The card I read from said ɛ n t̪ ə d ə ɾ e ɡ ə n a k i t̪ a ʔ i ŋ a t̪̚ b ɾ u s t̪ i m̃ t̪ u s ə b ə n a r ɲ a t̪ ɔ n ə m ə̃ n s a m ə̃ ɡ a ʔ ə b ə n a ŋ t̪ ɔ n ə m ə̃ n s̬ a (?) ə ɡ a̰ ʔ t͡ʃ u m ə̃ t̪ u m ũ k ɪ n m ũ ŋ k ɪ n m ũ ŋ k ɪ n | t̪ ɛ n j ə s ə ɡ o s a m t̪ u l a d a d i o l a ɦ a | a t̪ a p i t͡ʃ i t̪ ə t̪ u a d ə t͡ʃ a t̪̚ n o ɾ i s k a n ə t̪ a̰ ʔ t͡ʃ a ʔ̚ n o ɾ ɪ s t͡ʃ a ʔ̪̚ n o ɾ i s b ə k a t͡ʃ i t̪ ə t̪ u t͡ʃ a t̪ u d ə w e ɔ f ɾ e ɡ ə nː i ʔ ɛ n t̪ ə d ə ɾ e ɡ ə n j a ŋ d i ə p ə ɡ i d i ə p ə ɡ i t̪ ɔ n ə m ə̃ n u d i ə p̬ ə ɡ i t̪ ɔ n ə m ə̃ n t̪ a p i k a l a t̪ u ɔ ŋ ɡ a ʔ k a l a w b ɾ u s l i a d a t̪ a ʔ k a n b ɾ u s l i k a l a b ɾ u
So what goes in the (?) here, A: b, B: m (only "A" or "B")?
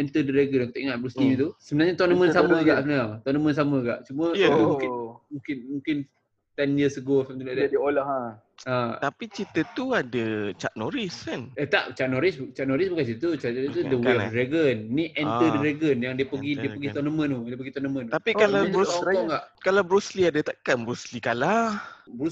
B